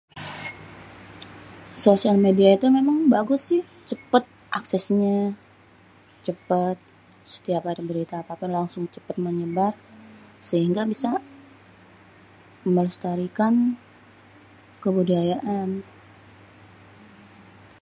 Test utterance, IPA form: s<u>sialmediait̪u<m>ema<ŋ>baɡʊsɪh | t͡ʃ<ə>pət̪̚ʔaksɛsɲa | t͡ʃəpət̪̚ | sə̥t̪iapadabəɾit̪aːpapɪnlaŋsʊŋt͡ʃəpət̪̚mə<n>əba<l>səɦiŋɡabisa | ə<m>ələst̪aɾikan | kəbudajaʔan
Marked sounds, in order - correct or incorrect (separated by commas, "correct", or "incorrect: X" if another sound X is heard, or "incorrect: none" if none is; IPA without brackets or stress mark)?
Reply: incorrect: o, correct, correct, correct, incorrect: ɲ, incorrect: r, correct